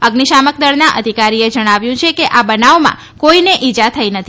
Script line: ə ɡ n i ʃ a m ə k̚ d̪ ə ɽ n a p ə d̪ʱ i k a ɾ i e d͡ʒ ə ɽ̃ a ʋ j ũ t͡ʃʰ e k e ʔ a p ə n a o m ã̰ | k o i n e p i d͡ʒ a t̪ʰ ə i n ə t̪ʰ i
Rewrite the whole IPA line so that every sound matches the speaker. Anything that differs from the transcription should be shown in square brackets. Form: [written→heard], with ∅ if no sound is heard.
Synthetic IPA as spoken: ə ɡ n i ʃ a m ə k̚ d̪ ə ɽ n a [p→ʔ] ə d̪ʱ i k a ɾ i e d͡ʒ ə ɽ̃ a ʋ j ũ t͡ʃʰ e k e ʔ a [p→b] ə n a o m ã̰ | k o i n e [p→ʔ] i d͡ʒ a t̪ʰ ə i n ə t̪ʰ i